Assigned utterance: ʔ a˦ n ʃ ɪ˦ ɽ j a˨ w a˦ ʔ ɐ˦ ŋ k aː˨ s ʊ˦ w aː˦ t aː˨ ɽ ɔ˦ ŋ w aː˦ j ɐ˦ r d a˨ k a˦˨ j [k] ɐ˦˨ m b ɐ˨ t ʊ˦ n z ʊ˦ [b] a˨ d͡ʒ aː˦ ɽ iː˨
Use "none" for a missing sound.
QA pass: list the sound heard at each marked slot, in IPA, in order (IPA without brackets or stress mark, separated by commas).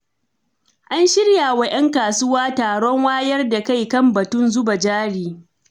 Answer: k, b